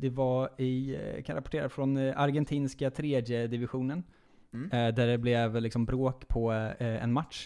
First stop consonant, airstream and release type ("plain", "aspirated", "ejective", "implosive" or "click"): plain